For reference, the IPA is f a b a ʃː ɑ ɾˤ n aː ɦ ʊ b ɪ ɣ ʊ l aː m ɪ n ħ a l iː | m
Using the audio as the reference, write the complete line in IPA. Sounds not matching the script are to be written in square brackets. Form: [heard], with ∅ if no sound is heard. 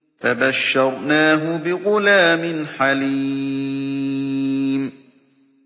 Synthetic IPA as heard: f a b a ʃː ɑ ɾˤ n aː ɦ ʊ b ɪ ɣ ʊ l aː m ɪ n ħ a l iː | m